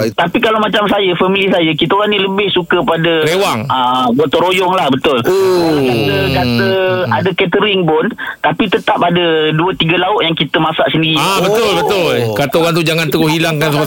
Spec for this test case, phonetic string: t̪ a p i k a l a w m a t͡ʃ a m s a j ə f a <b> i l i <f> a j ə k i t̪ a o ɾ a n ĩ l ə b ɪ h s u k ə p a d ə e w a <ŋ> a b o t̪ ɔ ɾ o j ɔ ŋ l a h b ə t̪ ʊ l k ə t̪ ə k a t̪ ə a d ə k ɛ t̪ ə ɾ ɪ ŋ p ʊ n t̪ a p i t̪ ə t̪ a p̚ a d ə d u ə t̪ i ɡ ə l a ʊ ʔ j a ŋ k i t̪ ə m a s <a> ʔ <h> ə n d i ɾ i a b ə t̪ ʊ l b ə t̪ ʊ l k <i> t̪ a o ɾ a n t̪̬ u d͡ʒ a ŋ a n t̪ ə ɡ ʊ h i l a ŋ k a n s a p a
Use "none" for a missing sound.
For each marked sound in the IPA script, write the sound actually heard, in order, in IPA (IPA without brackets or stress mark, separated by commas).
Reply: m, s, ŋ, a, s, a